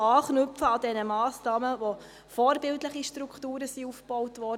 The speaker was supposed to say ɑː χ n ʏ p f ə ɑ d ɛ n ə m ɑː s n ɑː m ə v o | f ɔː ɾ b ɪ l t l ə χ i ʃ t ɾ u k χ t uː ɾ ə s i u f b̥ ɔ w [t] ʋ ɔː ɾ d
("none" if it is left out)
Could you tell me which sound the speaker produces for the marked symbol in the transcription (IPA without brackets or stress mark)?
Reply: t